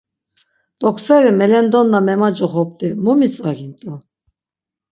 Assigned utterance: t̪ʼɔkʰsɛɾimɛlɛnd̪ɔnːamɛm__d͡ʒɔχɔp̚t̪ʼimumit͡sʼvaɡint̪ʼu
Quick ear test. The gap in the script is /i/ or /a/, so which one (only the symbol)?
a